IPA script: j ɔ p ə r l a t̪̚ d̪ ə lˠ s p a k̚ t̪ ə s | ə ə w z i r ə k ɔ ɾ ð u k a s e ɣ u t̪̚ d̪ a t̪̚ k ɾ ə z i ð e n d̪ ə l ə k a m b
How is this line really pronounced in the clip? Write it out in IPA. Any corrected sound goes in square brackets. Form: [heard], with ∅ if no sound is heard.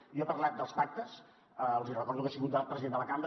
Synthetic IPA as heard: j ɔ p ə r l a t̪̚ d̪ ə lˠ s p a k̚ t̪ ə s | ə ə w z i r ə k ɔ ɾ ð u k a s [i] ɣ u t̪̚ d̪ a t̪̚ [p] ɾ ə z i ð e n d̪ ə l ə k a m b